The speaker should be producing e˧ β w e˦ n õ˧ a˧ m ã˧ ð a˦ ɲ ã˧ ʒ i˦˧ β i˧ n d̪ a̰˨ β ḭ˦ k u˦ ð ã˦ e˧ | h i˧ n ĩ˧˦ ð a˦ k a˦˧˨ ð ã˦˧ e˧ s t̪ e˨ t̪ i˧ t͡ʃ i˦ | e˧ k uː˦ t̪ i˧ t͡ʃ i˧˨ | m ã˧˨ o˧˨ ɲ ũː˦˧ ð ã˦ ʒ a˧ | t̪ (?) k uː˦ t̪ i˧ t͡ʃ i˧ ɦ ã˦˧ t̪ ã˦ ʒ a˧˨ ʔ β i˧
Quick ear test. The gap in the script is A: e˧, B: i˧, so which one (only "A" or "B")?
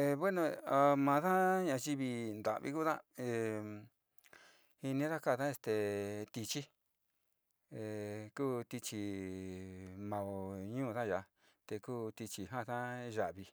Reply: A